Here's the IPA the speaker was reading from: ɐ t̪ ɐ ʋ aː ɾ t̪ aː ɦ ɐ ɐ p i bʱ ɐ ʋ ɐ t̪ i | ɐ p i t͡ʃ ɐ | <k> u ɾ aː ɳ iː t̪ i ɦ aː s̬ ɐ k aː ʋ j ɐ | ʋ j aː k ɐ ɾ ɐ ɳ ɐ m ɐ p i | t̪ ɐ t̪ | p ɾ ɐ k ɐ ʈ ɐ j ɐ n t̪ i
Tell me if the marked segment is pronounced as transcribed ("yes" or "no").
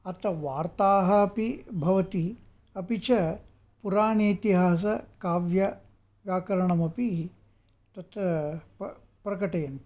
no